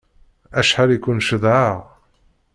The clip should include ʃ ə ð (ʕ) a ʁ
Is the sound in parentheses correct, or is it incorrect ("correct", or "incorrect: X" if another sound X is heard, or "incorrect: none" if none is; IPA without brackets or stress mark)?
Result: correct